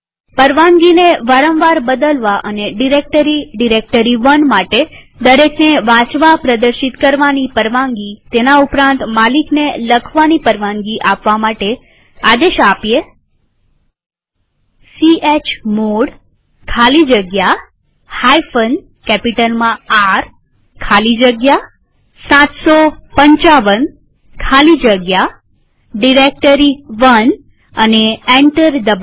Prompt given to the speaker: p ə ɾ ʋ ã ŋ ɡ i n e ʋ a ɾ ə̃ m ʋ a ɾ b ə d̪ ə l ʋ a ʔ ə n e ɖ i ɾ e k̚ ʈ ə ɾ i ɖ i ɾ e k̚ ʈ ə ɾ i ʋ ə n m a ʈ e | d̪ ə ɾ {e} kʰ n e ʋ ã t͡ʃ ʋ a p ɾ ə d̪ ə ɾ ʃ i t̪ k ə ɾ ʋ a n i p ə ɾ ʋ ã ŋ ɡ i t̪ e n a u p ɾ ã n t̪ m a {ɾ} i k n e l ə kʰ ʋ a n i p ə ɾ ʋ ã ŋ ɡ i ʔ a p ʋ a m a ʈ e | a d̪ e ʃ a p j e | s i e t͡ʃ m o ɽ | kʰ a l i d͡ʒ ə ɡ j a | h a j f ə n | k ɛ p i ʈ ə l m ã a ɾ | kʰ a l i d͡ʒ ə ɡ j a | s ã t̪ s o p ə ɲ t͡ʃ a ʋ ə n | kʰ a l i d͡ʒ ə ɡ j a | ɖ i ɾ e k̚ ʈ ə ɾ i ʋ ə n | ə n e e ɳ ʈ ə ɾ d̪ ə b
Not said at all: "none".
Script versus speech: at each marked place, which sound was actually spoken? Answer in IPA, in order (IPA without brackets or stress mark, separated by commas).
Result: e, l